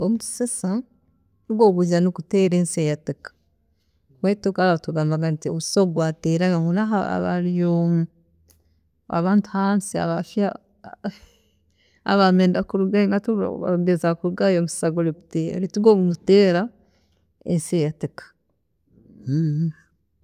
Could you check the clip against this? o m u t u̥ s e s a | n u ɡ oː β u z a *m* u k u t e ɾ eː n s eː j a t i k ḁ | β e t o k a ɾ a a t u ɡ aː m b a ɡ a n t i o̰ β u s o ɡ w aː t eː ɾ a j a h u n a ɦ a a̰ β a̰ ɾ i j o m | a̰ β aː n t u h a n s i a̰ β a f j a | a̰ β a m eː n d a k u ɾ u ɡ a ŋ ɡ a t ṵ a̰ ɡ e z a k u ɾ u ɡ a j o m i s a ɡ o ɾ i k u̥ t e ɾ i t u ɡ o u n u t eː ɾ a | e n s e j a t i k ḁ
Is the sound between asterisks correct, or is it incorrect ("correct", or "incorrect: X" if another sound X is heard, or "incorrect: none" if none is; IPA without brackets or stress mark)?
incorrect: n